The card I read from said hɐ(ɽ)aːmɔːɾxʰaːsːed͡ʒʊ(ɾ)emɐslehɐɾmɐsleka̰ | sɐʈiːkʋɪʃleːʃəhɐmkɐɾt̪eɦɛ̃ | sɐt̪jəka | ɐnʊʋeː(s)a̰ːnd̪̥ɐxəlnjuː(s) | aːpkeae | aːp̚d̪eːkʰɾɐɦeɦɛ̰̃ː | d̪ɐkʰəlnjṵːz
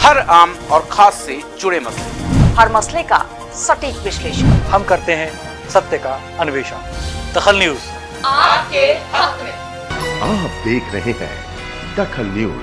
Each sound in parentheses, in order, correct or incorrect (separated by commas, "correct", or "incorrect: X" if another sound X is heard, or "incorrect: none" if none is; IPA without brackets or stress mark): incorrect: ɾ, incorrect: ɽ, incorrect: ʃ, incorrect: z